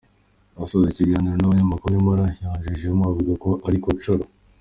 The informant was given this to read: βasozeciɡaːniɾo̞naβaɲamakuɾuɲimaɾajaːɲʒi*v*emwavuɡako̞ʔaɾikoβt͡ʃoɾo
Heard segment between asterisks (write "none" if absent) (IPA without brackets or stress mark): ʒ